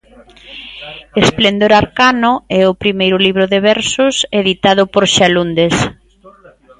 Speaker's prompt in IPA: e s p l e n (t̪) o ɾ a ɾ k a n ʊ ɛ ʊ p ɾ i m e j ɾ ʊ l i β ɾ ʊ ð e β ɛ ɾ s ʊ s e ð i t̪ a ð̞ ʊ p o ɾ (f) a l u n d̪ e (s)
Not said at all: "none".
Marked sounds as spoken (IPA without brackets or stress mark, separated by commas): d̪, ʃ, s